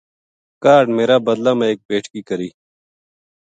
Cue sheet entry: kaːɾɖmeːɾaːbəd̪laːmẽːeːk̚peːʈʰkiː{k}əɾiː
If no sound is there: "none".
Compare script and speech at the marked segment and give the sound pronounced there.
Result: k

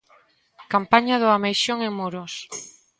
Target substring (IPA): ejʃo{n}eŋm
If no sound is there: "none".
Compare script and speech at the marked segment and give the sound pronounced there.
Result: ŋ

